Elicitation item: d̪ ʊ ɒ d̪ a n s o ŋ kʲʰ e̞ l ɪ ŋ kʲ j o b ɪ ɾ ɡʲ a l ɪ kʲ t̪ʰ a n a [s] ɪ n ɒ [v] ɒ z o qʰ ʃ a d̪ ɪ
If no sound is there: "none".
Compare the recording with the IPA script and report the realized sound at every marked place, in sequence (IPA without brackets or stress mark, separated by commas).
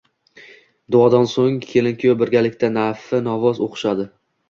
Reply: f, v